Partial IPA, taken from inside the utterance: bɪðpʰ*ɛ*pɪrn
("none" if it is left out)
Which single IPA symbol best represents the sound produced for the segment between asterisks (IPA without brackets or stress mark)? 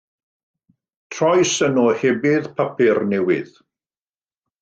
a